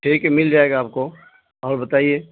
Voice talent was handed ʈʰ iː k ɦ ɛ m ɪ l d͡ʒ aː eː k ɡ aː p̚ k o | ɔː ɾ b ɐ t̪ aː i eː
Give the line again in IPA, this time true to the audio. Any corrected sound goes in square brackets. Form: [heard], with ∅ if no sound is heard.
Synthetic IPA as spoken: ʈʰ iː k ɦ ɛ m ɪ l d͡ʒ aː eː [∅] ɡ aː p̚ k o | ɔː ɾ b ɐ t̪ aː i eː